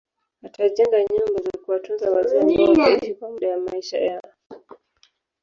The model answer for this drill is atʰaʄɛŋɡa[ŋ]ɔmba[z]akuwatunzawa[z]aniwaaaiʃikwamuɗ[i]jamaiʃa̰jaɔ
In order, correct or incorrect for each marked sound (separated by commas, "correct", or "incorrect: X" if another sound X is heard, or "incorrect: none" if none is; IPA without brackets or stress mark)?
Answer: incorrect: ɲ, correct, correct, incorrect: a